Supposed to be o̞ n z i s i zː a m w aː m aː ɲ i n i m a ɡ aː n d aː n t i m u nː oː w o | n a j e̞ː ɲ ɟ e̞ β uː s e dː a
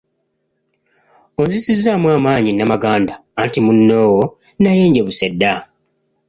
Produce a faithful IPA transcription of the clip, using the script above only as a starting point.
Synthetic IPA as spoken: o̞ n z i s i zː a m w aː m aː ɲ i n a m a ɡ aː n d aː n t i m u nː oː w o | n a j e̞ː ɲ ɟ e̞ β u s e dː a

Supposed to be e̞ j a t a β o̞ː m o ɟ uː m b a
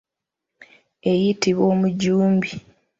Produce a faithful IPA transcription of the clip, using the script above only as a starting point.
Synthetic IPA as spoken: e̞ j i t i β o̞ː m u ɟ uː m b i

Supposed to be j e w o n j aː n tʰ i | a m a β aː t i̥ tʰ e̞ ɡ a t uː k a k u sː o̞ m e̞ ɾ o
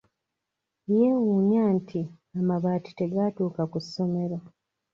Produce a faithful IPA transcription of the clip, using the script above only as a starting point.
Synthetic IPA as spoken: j e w u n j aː n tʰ i | a m a β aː t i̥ t e̞ ɡ a t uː k a k u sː o̞ m e̞ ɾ o

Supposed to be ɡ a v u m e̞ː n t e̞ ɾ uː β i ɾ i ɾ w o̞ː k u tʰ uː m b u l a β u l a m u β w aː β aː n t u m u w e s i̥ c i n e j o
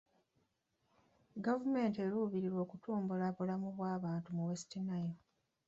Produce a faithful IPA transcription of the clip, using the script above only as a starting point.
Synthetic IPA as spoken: ɡ a v u m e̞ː n t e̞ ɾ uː β i ɾ i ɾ w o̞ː k u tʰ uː m b u l a β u l a m u β w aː β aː n t u m u w e s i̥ t i n a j o

